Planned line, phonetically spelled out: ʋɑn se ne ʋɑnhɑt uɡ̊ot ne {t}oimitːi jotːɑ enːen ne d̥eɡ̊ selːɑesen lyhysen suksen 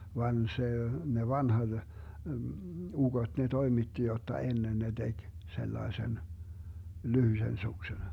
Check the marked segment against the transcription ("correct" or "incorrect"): correct